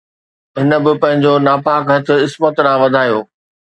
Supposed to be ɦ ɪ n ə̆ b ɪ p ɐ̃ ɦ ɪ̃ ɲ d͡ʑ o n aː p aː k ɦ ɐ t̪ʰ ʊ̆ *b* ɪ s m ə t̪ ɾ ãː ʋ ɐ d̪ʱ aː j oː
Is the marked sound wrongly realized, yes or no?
yes